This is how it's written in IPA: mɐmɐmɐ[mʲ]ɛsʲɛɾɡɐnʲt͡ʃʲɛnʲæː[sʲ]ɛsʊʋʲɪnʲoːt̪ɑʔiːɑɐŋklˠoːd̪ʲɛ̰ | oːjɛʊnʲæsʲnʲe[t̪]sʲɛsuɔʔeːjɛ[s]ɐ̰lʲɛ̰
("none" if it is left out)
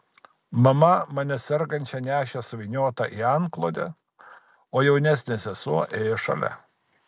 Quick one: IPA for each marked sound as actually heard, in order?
nʲ, ʃʲ, none, ʃ

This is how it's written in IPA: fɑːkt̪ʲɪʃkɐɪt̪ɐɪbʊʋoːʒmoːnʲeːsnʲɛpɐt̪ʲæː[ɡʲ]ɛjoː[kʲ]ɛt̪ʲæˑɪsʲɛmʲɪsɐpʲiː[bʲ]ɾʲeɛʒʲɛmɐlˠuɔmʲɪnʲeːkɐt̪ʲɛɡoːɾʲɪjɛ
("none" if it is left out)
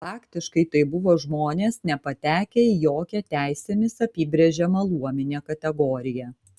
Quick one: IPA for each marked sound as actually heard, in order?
kʲ, kʲ, bʲ

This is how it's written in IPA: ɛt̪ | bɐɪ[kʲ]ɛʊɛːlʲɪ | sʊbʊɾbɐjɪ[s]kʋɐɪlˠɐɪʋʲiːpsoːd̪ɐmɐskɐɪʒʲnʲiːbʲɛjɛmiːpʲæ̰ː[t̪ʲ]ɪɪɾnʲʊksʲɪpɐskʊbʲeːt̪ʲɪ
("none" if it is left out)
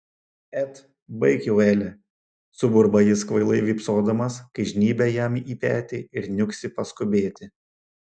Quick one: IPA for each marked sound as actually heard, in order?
kʲ, s, t̪ʲ

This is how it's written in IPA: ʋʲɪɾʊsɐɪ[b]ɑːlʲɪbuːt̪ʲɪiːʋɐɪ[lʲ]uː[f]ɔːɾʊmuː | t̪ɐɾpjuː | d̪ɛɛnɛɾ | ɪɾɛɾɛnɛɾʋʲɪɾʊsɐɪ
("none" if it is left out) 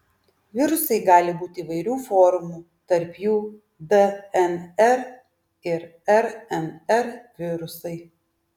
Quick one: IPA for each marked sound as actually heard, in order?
ɡ, ɾʲ, f

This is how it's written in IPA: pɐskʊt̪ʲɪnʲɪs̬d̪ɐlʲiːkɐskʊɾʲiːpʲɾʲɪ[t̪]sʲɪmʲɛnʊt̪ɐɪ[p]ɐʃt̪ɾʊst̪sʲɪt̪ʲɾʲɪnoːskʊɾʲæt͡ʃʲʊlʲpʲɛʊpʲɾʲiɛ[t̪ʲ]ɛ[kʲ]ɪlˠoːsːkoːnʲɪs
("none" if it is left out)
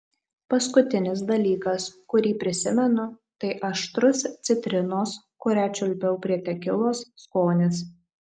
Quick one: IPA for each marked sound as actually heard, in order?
none, ʔ, t̪ʲ, kʲ

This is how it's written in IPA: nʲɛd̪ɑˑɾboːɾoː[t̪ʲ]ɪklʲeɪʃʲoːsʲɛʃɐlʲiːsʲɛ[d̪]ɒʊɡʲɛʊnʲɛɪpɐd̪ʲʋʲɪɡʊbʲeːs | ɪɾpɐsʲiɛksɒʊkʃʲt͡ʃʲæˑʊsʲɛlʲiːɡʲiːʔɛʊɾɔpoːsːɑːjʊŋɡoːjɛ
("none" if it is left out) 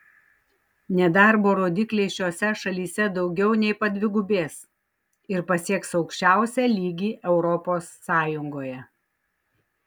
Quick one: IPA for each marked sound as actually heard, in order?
d̪ʲ, d̪

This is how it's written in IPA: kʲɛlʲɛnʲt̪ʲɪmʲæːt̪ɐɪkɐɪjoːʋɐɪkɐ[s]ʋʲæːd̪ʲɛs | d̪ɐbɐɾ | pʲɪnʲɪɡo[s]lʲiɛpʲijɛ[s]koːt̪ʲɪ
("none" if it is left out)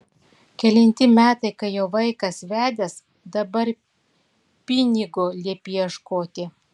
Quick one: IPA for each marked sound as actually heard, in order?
s, none, ʃ

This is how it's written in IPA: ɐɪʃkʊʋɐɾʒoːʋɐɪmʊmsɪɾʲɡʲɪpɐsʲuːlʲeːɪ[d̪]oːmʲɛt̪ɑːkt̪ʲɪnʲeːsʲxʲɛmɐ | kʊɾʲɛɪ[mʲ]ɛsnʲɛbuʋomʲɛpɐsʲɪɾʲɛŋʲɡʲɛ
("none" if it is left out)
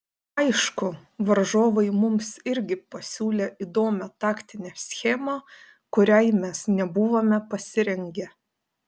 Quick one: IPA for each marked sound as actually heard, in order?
d̪, mʲ

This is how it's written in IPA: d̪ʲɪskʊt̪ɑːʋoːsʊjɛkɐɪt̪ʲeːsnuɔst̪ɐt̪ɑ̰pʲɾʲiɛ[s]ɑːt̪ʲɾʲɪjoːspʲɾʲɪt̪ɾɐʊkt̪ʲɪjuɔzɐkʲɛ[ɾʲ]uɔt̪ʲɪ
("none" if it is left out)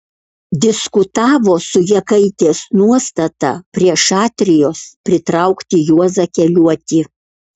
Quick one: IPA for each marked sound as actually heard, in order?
ʃ, lʲ

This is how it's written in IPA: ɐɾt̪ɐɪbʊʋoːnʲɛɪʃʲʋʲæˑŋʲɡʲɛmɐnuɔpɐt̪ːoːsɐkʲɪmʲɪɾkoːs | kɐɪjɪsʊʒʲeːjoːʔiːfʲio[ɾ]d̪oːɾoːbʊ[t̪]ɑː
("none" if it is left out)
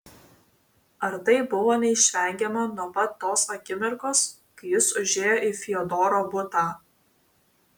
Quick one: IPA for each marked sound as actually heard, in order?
none, t̪

